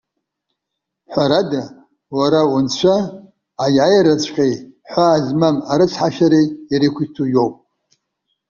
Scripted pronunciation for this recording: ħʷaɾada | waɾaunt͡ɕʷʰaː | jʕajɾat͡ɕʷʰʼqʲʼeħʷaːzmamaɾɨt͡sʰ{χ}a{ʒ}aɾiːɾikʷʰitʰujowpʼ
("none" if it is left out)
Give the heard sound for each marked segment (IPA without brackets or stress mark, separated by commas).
ħ, ʃ